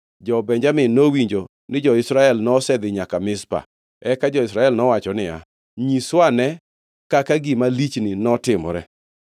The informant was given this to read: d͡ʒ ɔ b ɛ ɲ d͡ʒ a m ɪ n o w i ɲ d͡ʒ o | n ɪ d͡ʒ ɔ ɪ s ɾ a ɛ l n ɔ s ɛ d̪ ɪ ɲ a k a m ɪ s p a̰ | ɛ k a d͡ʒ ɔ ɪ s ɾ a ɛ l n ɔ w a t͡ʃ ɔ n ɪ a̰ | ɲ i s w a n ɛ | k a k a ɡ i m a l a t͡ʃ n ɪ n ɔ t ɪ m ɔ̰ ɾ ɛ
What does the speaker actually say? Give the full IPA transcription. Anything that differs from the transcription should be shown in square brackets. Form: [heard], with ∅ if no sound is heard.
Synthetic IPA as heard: d͡ʒ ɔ b ɛ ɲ d͡ʒ a m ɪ n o w i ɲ d͡ʒ o | n ɪ d͡ʒ ɔ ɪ s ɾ a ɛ l n ɔ s ɛ d̪ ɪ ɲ a k a m ɪ s p a̰ | ɛ k a d͡ʒ ɔ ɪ s ɾ a ɛ l n ɔ w a t͡ʃ ɔ n ɪ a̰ | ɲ i s w a n ɛ | k a k a ɡ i m a l [i] t͡ʃ n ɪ n ɔ t ɪ m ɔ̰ ɾ ɛ